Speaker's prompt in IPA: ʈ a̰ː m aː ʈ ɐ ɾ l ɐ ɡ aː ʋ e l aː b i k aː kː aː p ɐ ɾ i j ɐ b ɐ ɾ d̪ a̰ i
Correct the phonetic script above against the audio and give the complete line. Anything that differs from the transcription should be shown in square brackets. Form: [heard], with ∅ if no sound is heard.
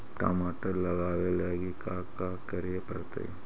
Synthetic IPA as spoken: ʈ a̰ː m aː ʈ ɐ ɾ l ɐ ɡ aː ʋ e l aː [ɡ] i k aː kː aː [k] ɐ ɾ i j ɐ [p] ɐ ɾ [t̪] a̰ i